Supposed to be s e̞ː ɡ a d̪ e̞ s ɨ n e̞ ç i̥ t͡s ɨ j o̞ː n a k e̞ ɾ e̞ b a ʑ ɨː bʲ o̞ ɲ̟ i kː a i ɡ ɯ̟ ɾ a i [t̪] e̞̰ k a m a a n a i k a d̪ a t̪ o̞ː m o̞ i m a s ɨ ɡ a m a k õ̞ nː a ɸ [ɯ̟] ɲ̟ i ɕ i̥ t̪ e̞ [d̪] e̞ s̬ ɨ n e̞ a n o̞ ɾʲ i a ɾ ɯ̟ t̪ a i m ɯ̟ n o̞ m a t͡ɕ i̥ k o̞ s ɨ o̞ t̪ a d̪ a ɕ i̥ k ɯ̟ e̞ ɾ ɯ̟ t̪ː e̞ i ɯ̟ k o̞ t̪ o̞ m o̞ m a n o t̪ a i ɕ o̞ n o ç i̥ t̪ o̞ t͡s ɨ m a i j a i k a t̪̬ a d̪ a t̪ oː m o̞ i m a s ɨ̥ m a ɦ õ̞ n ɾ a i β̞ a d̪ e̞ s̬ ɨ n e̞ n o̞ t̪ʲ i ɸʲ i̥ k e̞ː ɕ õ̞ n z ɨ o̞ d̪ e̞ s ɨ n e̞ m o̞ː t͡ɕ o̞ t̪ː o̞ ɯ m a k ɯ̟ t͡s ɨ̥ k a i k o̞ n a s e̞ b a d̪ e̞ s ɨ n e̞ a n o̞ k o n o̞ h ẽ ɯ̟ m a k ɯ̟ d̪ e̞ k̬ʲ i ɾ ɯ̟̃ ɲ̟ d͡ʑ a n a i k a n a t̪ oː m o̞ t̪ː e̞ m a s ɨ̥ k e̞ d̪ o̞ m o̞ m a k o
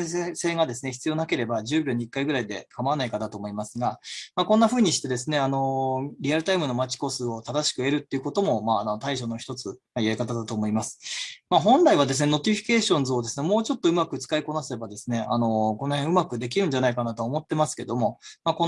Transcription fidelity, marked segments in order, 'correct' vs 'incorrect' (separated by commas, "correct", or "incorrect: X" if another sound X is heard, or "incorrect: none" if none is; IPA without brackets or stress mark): incorrect: d̪, incorrect: ɯ̟ː, correct